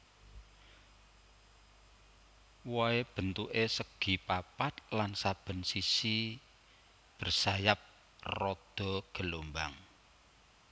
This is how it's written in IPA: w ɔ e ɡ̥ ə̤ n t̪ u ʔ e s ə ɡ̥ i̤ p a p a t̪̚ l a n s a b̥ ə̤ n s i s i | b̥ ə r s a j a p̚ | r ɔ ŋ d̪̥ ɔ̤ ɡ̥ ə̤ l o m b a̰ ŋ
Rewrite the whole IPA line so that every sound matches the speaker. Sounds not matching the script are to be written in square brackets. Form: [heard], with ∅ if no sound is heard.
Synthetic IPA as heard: w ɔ e [b̥] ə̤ n t̪ u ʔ e s ə ɡ̥ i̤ p a p a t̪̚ l a n s a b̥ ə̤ n s i s i | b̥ ə r s a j a p̚ | r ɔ [∅] d̪̥ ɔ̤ ɡ̥ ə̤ l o m b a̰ ŋ